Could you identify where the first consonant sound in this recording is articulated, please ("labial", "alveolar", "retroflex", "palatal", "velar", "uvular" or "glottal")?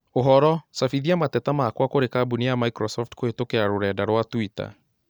glottal